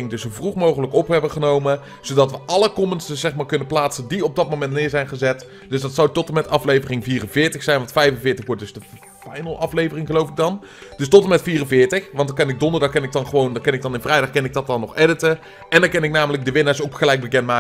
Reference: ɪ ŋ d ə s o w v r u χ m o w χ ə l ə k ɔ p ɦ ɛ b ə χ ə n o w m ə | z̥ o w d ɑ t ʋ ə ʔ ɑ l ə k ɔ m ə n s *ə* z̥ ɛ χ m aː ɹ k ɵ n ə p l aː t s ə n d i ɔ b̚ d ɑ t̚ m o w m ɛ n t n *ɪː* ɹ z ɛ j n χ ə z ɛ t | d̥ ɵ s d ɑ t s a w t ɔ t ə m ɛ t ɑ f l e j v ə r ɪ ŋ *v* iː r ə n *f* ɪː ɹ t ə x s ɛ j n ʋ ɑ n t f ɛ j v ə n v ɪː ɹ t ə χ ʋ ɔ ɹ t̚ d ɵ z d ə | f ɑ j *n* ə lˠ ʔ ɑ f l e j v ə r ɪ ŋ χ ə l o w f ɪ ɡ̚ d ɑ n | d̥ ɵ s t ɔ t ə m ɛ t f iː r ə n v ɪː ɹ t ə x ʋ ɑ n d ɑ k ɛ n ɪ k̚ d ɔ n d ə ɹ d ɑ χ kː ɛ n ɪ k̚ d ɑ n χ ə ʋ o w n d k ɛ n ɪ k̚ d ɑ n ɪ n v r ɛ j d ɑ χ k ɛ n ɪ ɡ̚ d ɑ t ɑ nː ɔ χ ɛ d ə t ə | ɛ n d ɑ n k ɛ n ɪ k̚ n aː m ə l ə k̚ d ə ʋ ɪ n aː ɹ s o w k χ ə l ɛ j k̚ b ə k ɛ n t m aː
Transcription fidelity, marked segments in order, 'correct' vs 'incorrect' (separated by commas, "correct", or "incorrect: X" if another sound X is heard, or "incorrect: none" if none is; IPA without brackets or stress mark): correct, correct, correct, incorrect: v, correct